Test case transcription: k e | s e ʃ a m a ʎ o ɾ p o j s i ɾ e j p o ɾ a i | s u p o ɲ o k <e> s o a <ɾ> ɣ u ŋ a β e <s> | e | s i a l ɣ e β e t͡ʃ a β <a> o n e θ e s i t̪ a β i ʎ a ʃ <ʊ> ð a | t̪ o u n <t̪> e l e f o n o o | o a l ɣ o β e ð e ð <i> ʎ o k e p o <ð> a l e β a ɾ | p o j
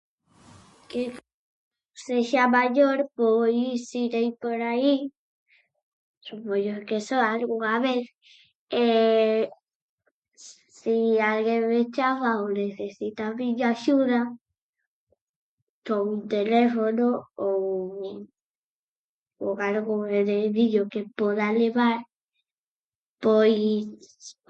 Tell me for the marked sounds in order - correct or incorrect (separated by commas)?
correct, incorrect, incorrect, correct, incorrect, correct, correct, correct